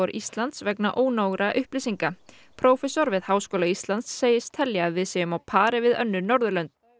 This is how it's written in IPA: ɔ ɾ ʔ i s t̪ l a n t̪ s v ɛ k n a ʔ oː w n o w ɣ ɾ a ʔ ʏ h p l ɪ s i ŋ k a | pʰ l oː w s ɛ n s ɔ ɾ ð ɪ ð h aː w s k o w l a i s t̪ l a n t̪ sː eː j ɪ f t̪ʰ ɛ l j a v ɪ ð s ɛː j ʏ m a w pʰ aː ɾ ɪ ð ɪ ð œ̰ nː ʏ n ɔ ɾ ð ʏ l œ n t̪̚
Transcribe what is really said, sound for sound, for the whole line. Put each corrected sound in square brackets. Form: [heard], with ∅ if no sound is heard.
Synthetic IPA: ɔ ɾ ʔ i s t̪ l a n t̪ s v ɛ k n a ʔ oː w n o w ɣ ɾ a ʔ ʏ h p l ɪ s i ŋ k a | pʰ [ɾ] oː w [f] ɛ [∅] s ɔ ɾ [v] ɪ ð h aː w s k o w l a i s t̪ l a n t̪ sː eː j ɪ [s] t̪ʰ ɛ l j a v ɪ ð s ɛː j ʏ m a w pʰ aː ɾ ɪ [v] ɪ ð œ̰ nː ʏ n ɔ ɾ ð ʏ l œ n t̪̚